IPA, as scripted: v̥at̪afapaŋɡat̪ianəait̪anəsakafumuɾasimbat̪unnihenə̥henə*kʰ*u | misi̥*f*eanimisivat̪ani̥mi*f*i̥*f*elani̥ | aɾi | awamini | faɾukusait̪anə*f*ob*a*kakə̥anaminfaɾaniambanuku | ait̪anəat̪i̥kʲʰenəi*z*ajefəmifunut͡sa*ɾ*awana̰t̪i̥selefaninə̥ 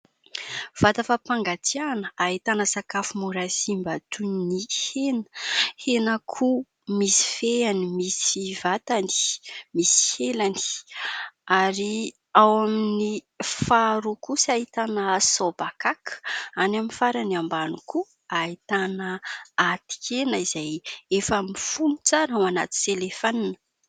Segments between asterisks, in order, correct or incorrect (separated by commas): correct, correct, incorrect, incorrect, incorrect, correct, correct, correct